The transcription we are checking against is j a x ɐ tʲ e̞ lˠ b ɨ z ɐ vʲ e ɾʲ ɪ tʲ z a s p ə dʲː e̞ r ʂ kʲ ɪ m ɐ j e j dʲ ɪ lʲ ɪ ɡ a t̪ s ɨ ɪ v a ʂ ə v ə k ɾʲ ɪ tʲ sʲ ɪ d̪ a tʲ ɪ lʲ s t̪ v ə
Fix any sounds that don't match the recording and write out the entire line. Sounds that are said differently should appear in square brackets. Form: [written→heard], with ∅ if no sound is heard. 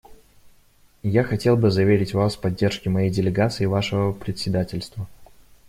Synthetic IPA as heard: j a x ɐ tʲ e̞ lˠ b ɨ z ɐ vʲ e ɾʲ ɪ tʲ [z→v] a s p [ə→ɐ] dʲː e̞ r ʂ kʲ ɪ m ɐ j e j dʲ ɪ lʲ ɪ ɡ a t̪ s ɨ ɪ v a ʂ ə v ə [k→p] ɾʲ ɪ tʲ sʲ ɪ d̪ a tʲ ɪ lʲ s t̪ v ə

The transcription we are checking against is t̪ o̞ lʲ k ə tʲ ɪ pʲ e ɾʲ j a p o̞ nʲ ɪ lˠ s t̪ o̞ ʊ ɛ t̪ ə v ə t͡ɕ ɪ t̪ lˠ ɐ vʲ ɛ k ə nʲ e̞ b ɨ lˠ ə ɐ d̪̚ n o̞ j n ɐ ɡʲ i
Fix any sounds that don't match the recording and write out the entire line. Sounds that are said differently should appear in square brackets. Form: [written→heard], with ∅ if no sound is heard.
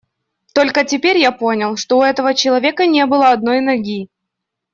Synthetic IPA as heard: t̪ o̞ lʲ k ə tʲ ɪ pʲ e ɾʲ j a p o̞ nʲ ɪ lˠ [s→ʂ] t̪ o̞ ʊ ɛ t̪ ə v ə t͡ɕ ɪ [t̪→∅] lˠ ɐ vʲ [ɛ→e] k ə nʲ e̞ b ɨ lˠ ə ɐ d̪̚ n o̞ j n ɐ ɡʲ i

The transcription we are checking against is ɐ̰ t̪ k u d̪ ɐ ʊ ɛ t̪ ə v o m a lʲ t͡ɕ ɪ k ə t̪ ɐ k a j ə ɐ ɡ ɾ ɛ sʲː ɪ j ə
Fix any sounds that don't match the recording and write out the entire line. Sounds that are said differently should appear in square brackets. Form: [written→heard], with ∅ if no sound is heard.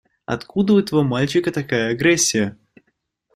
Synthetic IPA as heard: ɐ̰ t̪ k u d̪ [ɐ→ə] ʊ ɛ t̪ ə v o m a lʲ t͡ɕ ɪ k ə t̪ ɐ k a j ə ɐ ɡ ɾ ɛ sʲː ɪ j ə

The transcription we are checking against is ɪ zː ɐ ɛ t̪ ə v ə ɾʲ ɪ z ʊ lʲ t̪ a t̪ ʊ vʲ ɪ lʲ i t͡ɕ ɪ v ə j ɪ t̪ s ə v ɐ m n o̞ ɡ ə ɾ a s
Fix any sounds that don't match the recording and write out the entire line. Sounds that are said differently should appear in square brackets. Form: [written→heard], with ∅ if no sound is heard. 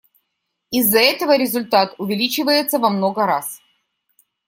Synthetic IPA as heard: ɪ zː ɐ ɛ t̪ ə v ə ɾʲ ɪ z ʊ lʲ t̪ a t̪ ʊ vʲ ɪ lʲ i t͡ɕ ɪ v ə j ɪ t̪ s ə v ɐ m n o̞ ɡ ə ɾ a s

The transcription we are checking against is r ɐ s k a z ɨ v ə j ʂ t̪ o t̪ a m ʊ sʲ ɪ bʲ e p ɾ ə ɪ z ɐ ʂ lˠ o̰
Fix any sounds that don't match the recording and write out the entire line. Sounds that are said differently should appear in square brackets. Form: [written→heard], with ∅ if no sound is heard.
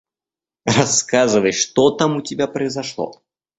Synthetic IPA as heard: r ɐ s k a z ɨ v ə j ʂ t̪ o t̪ a m ʊ [sʲ→tʲ] ɪ bʲ [e→a] p ɾ ə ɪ z ɐ ʂ lˠ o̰

